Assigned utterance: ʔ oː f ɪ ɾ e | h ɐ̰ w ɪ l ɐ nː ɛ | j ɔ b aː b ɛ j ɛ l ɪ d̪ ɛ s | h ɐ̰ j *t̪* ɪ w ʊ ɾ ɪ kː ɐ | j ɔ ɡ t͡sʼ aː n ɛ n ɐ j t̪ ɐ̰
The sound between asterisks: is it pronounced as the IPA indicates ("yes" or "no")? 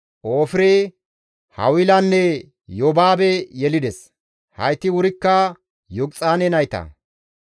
yes